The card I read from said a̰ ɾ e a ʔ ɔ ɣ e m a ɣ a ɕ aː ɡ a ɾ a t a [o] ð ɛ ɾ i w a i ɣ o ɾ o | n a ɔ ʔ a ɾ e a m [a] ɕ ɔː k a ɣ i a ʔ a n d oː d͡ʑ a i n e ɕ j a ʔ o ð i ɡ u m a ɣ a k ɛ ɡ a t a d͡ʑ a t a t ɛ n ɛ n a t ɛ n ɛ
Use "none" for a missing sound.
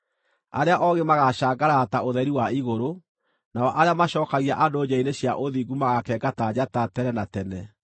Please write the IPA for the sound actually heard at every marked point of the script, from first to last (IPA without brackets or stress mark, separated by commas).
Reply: o, a